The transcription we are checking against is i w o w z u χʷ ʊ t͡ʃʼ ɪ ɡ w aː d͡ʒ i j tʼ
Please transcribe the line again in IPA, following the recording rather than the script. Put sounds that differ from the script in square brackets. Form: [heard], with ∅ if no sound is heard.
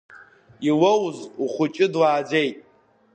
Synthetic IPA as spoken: i w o w z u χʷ ʊ t͡ʃʼ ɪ [d] w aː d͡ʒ [e] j tʼ